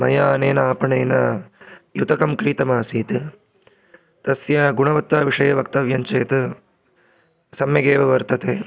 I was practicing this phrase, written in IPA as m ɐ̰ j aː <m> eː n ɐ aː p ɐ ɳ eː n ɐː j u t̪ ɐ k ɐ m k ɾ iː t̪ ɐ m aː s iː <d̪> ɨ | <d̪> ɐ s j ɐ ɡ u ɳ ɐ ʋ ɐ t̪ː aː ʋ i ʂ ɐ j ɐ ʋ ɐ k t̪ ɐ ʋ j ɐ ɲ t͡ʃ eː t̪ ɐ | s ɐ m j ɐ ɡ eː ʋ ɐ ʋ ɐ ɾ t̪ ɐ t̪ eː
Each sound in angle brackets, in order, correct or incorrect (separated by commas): incorrect, incorrect, incorrect